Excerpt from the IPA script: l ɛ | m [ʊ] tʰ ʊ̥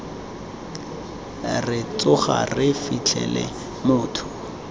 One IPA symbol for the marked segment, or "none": ʊː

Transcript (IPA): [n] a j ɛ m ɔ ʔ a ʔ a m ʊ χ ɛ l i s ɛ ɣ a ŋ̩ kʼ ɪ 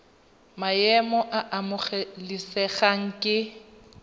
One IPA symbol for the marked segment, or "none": m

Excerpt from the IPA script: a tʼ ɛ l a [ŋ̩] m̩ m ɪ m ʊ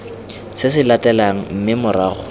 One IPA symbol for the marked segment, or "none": ŋ̩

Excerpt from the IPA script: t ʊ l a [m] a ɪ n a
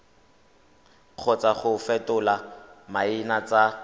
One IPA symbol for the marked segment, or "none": m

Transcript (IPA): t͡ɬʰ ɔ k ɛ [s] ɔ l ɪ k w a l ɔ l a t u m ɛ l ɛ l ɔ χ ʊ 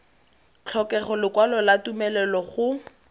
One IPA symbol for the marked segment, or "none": χ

